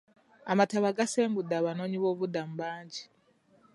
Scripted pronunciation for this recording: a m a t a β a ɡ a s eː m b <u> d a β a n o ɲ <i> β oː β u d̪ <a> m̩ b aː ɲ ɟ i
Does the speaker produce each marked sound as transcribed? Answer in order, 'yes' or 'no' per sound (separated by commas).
yes, yes, yes